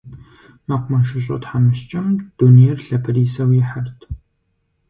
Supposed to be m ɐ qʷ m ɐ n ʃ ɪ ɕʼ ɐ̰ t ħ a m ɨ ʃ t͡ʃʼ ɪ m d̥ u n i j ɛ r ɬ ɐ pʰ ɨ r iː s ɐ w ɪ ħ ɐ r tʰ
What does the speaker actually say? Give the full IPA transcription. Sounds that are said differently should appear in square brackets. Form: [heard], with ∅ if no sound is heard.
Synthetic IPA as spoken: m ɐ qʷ m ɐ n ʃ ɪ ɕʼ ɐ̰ t ħ a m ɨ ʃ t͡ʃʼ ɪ m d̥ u n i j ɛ r ɬ ɐ pʰ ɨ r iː s ɐ w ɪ ħ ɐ r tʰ

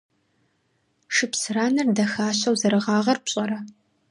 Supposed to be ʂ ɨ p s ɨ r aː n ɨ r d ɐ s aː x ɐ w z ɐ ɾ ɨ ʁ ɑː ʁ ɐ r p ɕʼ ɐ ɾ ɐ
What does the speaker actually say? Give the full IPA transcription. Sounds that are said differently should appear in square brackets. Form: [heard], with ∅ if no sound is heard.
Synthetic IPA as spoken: ʂ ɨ p s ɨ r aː n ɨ r d ɐ [x] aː [ɕ] ɐ w z ɐ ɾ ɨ ʁ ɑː ʁ ɐ r p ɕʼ ɐ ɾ ɐ

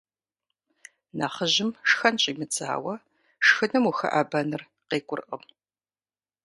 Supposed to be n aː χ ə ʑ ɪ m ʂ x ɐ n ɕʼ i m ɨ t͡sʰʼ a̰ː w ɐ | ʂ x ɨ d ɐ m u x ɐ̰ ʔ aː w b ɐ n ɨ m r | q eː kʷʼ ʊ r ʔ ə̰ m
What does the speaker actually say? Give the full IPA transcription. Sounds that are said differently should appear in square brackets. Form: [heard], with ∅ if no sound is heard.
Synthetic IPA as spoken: n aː χ ə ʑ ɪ m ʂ x ɐ n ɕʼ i m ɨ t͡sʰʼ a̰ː w ɐ | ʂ x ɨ [n] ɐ m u x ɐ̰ ʔ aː [∅] b ɐ n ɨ [∅] r | q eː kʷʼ ʊ r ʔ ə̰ m

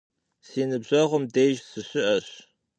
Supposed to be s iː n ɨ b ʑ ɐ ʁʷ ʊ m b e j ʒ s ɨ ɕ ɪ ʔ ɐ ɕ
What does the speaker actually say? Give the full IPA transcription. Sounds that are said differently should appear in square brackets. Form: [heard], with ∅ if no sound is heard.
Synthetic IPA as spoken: s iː n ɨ b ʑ ɐ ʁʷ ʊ m [d] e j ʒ s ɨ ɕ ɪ ʔ ɐ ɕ

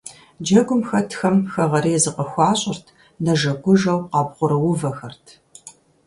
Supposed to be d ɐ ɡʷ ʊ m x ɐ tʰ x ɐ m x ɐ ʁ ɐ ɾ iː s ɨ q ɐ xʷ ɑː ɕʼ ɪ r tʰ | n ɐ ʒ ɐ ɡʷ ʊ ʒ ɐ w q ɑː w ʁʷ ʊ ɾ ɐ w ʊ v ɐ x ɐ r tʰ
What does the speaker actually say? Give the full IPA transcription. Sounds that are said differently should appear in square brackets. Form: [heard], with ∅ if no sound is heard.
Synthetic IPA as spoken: [d͡ʒ] ɐ ɡʷ ʊ m x ɐ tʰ x ɐ m x ɐ ʁ ɐ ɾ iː [z] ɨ q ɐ xʷ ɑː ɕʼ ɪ r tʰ | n ɐ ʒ ɐ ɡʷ ʊ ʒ ɐ w q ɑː [b] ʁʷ ʊ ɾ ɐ w ʊ v ɐ x ɐ r tʰ

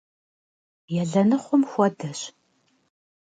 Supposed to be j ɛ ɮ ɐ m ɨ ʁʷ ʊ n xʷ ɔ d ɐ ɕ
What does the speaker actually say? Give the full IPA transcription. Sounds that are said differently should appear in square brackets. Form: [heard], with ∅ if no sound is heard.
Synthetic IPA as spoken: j ɛ ɮ ɐ [n] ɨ [χʷ] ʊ [m] xʷ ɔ d ɐ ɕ

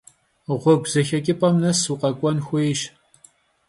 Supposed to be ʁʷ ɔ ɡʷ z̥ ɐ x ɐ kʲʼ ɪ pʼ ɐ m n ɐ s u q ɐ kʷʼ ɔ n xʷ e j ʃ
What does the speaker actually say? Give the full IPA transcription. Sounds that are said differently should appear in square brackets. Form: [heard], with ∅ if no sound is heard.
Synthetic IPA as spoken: ʁʷ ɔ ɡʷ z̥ ɐ x ɐ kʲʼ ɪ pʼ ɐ m n ɐ s u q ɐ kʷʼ ɔ n xʷ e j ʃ

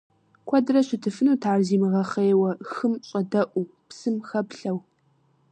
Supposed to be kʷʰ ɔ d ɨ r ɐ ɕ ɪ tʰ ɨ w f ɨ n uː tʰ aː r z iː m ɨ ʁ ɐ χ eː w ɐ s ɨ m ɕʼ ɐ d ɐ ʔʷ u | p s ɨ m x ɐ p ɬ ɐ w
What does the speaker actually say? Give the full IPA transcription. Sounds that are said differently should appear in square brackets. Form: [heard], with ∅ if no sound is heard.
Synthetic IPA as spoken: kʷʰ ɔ d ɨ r ɐ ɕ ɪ tʰ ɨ [∅] f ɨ n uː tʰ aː r z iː m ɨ ʁ ɐ χ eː w ɐ [x] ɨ m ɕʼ ɐ d ɐ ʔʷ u | p s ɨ m x ɐ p ɬ ɐ w

